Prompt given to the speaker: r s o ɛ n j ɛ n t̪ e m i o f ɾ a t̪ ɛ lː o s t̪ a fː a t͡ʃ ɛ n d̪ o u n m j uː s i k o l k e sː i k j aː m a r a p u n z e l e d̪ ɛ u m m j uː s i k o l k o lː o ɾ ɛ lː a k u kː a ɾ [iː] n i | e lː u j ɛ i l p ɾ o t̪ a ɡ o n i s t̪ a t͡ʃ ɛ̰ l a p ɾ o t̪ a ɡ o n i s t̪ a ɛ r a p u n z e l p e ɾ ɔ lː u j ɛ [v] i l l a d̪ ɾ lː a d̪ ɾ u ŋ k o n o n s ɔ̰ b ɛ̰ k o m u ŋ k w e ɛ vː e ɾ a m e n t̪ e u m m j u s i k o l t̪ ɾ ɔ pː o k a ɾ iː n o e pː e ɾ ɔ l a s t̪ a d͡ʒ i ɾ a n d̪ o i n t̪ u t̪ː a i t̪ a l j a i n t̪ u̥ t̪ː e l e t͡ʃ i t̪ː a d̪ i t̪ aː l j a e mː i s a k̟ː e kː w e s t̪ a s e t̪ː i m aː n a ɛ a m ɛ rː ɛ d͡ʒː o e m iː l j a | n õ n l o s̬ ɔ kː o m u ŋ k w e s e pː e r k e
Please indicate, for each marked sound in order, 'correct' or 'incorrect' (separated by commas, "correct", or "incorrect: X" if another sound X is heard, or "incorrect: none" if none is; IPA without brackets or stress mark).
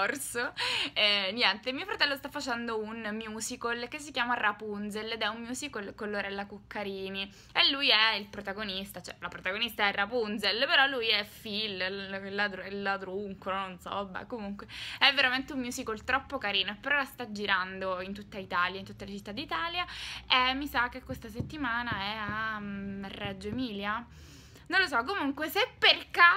correct, incorrect: f